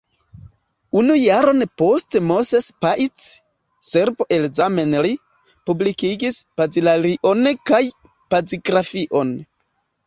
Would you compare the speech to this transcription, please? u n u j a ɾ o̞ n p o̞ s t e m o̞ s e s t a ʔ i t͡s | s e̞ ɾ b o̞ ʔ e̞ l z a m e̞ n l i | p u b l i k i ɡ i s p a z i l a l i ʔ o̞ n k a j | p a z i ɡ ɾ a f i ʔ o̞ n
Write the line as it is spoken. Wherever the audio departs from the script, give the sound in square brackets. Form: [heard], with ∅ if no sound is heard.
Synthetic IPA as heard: u n u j a ɾ o̞ n p o̞ s t e m o̞ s e s [p] a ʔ i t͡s | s e̞ ɾ b o̞ ʔ e̞ l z a m e̞ n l i | p u b l i k i ɡ i s p a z i l a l i ʔ o̞ n k a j | p a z i ɡ ɾ a f i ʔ o̞ n